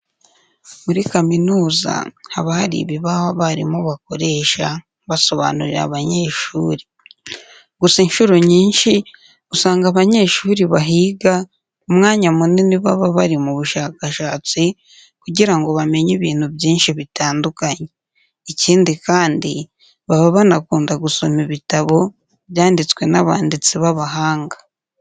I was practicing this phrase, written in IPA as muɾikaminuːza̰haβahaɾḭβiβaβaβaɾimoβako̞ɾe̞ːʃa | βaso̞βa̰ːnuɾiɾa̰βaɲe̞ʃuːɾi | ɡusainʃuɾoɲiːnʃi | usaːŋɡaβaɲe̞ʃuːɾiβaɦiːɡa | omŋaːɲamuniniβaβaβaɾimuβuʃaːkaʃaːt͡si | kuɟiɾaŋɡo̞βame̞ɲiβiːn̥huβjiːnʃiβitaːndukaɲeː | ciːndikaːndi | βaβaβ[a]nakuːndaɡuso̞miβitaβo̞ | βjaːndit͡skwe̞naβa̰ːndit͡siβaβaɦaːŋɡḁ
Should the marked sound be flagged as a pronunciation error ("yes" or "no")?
no